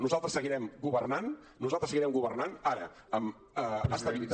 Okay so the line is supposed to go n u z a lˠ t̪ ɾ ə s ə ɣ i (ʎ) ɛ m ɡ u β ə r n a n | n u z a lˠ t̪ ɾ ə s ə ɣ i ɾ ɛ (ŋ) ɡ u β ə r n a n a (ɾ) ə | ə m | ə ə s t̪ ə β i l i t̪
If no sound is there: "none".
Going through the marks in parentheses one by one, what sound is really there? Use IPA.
ɾ, m, ɾ

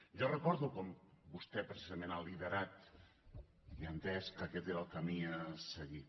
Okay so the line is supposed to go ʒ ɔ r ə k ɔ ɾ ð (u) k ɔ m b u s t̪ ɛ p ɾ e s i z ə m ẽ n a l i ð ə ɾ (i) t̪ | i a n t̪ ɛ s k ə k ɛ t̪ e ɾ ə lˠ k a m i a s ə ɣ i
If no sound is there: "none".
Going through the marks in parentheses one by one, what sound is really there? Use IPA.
u, a

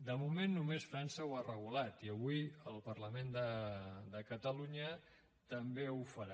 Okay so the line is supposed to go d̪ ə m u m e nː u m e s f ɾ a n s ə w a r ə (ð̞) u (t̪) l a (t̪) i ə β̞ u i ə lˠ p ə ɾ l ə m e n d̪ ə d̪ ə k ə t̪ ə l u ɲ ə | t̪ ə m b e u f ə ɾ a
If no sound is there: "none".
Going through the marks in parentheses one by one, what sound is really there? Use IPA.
ɣ̞, none, t̪

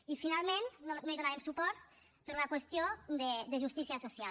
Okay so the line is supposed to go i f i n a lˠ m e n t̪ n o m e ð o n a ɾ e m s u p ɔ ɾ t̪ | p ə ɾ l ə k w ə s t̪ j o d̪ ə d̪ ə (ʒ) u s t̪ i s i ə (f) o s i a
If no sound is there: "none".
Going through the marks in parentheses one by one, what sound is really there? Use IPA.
ʒ, s

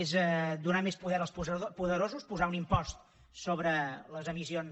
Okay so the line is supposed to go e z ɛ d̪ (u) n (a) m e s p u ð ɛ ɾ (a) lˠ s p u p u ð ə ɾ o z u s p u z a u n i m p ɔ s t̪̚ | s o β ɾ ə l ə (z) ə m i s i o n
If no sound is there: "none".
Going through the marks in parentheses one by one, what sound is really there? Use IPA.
u, a, ə, z

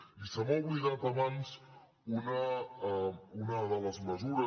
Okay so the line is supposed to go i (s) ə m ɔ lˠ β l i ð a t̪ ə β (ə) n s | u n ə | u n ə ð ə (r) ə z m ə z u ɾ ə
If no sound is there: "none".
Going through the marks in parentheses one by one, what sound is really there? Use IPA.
s, a, l

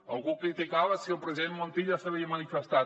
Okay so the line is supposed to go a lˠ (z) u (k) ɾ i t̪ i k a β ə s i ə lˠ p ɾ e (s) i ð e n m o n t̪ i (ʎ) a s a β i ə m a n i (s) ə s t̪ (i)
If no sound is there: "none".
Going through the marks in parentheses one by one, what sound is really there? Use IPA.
ɣ, k, z, ʎ, f, a

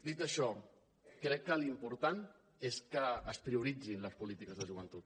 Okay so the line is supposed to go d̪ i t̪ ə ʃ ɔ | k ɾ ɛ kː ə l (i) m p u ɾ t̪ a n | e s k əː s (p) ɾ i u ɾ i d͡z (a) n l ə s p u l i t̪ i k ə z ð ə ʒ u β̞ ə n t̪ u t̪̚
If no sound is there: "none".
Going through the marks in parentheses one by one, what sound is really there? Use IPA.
i, p, i

